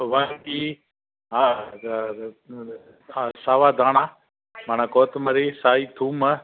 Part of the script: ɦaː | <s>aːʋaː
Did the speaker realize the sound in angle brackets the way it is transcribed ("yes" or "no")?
yes